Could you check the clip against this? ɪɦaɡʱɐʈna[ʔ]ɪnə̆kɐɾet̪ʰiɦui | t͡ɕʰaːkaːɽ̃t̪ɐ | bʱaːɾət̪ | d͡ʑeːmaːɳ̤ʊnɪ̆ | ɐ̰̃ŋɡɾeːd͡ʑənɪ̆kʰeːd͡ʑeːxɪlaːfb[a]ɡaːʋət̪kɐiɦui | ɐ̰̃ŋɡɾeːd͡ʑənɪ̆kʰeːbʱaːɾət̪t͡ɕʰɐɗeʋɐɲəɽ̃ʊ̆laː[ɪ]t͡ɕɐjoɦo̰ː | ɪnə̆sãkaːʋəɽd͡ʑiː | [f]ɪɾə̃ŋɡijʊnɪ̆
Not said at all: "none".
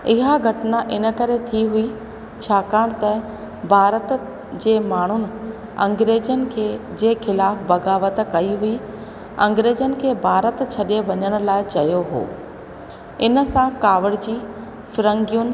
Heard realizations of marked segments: ʔ, ɐ, ɪ, f

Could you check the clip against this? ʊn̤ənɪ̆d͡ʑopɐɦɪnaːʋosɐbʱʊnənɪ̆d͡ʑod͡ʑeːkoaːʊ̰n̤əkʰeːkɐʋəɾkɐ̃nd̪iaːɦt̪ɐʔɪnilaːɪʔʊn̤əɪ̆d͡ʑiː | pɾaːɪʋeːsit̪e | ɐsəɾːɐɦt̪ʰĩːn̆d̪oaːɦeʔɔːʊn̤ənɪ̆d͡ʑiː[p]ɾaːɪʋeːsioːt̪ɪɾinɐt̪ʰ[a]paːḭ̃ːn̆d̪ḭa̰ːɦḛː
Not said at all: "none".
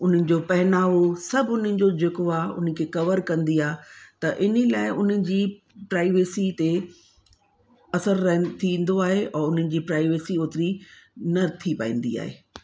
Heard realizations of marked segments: p, i

